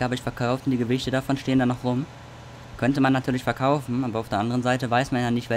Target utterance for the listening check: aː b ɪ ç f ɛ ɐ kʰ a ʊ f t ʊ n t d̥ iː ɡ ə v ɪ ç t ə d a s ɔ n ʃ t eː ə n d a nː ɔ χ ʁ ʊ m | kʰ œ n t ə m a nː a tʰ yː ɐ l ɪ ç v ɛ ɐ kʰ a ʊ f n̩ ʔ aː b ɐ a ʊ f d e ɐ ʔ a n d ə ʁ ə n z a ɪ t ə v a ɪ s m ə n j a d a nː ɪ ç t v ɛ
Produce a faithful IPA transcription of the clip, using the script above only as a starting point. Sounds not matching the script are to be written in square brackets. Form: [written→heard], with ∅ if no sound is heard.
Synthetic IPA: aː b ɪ ç f ɛ ɐ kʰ a ʊ f t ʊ n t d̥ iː ɡ ə v ɪ ç t ə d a [s→f] ɔ n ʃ t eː ə n d a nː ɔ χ ʁ ʊ m | kʰ œ n t ə m a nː a tʰ yː ɐ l ɪ ç [v→f] ɛ ɐ kʰ a ʊ f n̩ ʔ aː b ɐ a ʊ f d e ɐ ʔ a n d ə ʁ ə n z a ɪ t ə v a ɪ s m [ə→a] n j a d a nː ɪ ç t v ɛ